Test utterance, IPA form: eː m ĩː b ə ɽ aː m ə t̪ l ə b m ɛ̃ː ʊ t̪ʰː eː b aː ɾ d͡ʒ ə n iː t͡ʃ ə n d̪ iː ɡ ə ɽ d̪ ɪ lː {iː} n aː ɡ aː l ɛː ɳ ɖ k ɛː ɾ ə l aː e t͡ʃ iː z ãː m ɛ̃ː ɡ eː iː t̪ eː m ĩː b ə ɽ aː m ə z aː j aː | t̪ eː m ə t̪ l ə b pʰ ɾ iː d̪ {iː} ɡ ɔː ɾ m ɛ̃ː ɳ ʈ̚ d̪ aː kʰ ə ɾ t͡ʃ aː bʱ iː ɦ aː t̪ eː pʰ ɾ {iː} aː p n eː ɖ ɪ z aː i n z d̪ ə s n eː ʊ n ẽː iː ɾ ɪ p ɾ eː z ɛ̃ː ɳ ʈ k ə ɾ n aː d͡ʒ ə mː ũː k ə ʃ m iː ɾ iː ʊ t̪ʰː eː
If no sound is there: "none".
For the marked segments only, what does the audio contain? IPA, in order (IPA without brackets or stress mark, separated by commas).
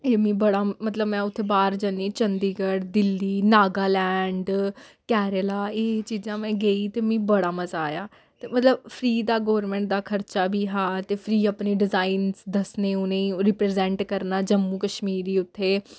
iː, aː, iː